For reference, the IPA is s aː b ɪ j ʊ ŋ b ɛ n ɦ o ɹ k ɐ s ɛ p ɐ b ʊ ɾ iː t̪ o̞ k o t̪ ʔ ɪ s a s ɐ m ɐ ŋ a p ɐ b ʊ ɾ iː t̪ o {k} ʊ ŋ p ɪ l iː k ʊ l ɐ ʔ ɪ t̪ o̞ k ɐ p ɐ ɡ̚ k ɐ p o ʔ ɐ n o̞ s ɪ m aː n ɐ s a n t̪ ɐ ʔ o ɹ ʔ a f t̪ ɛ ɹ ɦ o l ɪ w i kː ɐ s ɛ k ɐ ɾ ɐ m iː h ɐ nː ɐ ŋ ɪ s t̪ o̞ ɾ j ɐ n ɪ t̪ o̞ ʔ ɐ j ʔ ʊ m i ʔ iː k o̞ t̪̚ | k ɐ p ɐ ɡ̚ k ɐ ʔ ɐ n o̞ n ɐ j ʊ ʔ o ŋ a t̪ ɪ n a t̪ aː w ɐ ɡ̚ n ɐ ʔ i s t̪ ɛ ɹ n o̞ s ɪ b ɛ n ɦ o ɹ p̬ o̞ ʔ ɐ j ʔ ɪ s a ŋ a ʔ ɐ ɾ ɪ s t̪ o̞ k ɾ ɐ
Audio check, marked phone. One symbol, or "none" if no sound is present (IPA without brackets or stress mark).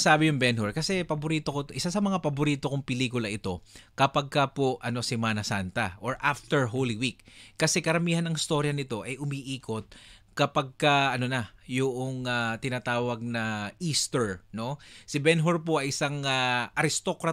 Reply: k